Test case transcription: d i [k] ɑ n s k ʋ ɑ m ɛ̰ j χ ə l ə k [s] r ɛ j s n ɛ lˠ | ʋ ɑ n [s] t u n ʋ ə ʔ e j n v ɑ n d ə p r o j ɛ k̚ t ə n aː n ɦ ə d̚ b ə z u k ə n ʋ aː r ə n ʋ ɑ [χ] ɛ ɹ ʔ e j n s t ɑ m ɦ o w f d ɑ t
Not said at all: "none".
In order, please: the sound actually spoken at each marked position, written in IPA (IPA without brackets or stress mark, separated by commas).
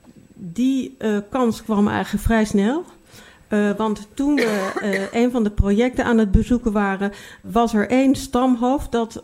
k, f, t, s